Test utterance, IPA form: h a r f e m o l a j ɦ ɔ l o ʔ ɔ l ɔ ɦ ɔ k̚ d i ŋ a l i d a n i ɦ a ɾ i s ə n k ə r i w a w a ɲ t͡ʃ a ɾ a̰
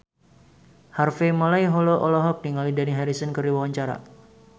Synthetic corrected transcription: h a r f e m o l a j ɦ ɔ l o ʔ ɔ l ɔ ɦ ɔ k̚ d i ŋ a l i d a n i ɦ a ɾ i s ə n k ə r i w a w a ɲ t͡ʃ a ɾ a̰